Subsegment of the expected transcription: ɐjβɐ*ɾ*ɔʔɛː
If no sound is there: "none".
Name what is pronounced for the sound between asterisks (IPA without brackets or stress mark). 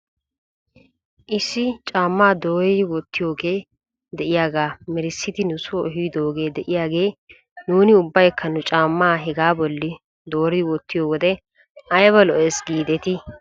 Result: l